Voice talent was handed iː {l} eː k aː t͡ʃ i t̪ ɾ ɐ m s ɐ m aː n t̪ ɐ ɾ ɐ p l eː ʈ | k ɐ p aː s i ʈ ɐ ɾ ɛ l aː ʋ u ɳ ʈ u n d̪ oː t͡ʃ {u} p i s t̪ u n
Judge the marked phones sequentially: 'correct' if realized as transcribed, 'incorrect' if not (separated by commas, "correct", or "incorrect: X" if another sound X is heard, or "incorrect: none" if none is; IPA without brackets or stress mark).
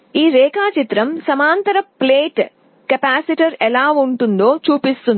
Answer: incorrect: ɾ, incorrect: uː